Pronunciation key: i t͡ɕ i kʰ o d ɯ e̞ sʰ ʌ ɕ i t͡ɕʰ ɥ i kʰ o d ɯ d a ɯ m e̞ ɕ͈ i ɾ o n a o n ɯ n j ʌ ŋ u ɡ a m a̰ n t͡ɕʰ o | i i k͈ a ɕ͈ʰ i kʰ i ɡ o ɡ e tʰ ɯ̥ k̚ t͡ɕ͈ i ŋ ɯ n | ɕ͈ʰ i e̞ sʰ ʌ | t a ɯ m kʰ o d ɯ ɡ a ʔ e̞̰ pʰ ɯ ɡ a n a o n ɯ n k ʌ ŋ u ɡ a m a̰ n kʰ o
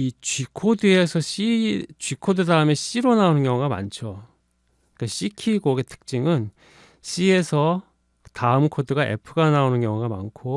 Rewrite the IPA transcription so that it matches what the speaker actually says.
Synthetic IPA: i t͡ɕ i kʰ o d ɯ e̞ sʰ ʌ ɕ i t͡ɕ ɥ i kʰ o d ɯ d a ɯ m e̞ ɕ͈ i ɾ o n a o n ɯ n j ʌ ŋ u ɡ a m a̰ n t͡ɕʰ o | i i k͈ a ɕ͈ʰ i kʰ i ɡ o ɡ e tʰ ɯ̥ k̚ t͡ɕ͈ i ŋ ɯ n | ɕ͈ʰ i e̞ sʰ ʌ | t a ɯ m kʰ o d ɯ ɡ a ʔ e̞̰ pʰ ɯ ɡ a n a o n ɯ n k ʌ ŋ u ɡ a m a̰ n kʰ o